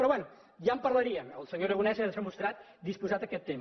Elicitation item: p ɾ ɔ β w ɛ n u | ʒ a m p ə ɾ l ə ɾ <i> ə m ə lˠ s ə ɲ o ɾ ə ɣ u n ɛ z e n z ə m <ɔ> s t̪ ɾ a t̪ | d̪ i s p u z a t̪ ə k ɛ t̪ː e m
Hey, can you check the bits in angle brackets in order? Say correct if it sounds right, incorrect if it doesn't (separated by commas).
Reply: correct, incorrect